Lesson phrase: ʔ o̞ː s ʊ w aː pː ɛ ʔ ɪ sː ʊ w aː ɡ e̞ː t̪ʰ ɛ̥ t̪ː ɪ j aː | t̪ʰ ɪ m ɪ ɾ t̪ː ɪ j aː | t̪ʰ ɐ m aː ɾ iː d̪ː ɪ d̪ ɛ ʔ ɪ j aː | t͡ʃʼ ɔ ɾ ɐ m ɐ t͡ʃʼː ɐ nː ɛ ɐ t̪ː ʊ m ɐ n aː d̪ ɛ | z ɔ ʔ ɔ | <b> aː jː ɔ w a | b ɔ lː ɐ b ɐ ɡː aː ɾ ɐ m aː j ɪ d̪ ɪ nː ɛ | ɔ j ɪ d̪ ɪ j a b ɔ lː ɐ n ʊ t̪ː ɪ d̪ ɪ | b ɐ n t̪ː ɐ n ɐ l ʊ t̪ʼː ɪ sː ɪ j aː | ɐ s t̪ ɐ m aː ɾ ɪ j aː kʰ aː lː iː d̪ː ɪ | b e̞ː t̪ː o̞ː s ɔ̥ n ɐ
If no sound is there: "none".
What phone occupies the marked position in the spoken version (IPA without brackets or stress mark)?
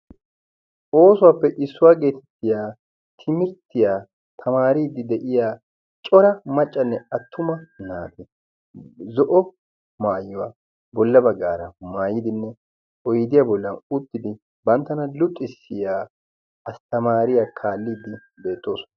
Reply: m